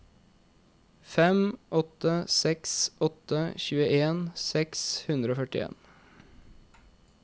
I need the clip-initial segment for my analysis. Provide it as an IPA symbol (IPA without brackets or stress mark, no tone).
f